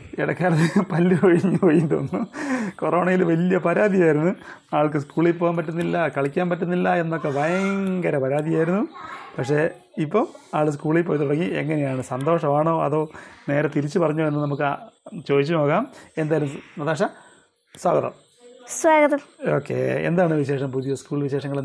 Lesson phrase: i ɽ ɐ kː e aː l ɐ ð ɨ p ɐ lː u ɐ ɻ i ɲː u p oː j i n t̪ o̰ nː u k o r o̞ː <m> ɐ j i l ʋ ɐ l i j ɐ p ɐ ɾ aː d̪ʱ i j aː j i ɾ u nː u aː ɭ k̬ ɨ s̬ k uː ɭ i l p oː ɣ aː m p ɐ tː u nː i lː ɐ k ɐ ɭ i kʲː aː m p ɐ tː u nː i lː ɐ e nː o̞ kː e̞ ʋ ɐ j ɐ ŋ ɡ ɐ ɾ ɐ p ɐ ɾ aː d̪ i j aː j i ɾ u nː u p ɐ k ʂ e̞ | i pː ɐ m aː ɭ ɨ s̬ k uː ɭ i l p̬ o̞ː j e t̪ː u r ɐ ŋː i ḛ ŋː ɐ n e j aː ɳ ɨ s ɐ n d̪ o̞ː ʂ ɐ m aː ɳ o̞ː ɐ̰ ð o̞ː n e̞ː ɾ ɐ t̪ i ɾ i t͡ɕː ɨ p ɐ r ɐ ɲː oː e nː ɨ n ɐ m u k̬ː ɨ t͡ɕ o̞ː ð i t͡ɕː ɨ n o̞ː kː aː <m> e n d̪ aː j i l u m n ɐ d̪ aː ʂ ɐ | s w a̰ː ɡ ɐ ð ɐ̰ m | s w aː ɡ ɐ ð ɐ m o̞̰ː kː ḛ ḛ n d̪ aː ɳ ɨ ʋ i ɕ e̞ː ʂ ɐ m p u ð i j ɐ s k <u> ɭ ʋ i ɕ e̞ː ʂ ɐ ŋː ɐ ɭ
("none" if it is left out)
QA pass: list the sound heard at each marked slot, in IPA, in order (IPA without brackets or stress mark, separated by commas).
ɳ, m, uː